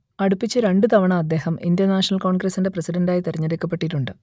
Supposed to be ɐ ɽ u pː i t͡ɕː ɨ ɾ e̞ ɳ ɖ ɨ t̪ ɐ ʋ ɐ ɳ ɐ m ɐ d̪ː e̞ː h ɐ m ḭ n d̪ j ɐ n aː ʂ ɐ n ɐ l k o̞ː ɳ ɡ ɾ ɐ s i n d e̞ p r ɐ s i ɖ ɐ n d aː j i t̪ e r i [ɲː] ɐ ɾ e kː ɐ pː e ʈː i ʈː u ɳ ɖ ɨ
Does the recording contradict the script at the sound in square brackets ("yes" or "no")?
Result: no